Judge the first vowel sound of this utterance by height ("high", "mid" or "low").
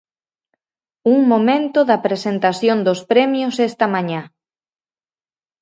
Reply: high